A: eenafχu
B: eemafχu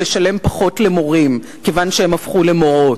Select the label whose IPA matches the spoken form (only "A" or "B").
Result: B